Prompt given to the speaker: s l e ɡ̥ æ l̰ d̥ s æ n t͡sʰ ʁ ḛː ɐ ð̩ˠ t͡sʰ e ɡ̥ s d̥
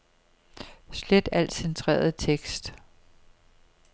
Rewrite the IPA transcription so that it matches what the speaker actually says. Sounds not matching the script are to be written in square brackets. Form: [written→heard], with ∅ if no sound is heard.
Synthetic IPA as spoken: s l e [ɡ̥→d̥] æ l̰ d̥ s [æ→e] n t͡sʰ ʁ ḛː ɐ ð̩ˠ t͡sʰ e ɡ̥ s d̥